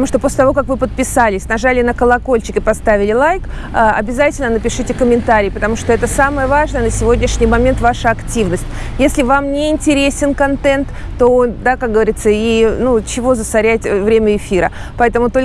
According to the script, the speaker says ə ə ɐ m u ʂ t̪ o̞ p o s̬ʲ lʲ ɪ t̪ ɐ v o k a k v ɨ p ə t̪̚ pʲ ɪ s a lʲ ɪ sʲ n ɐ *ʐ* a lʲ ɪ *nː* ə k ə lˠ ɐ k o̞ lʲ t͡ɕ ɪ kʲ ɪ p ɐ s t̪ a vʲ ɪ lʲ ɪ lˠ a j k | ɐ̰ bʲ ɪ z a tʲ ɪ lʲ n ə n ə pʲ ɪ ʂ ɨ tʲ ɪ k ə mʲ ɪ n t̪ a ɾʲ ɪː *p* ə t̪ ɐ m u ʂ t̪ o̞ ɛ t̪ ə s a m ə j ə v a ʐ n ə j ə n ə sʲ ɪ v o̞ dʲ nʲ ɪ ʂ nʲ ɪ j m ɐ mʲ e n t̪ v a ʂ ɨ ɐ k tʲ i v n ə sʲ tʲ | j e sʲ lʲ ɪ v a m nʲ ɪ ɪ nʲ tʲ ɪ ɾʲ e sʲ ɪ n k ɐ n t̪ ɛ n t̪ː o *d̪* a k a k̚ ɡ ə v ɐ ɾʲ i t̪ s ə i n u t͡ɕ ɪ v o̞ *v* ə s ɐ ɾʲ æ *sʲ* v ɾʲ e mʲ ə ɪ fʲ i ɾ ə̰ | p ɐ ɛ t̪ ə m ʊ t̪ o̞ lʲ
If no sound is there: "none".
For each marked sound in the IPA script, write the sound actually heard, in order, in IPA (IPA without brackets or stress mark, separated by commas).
ʐ, n, p, d̪, z, tʲ